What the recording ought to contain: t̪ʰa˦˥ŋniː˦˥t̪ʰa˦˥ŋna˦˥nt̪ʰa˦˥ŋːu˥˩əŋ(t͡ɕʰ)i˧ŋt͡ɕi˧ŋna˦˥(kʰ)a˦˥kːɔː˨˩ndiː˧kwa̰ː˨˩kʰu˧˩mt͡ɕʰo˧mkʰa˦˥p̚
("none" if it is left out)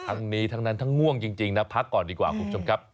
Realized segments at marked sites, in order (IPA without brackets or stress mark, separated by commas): t͡ɕ, pʰ